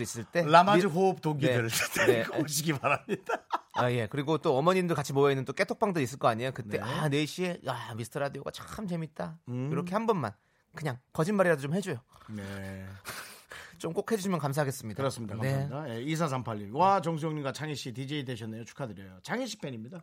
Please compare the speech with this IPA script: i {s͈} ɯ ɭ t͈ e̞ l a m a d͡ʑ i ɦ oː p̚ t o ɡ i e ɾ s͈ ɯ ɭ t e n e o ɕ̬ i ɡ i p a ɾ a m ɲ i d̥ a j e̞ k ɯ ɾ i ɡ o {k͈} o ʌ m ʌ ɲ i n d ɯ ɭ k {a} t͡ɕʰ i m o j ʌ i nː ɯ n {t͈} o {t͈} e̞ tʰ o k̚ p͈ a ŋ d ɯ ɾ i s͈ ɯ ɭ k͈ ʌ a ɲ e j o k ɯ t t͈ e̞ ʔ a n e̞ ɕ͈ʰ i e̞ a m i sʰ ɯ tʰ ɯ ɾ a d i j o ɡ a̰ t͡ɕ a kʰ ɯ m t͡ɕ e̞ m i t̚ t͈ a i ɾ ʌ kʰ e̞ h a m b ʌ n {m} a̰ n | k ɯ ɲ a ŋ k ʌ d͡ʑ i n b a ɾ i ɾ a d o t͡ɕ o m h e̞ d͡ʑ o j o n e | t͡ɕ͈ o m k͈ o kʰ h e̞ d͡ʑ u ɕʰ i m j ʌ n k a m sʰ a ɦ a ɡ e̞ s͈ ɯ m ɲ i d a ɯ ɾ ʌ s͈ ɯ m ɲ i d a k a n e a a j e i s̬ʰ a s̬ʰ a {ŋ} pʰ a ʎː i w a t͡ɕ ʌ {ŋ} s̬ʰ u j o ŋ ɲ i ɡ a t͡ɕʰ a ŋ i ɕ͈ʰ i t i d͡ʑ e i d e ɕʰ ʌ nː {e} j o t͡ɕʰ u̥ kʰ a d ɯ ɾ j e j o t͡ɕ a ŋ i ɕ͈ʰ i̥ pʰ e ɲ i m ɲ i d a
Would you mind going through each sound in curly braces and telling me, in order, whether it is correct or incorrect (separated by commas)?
correct, incorrect, correct, correct, incorrect, correct, incorrect, correct, correct